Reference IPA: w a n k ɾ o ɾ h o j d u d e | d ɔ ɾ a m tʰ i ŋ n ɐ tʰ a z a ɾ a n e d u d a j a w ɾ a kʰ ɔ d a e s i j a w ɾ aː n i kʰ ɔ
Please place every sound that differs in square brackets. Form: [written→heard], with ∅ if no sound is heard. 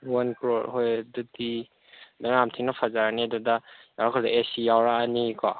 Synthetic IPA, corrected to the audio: w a n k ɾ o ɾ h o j d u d [e→i] | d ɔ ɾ a m tʰ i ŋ n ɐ [tʰ→pʰ] a z a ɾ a n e d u d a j a w ɾ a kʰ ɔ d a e s i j a w ɾ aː n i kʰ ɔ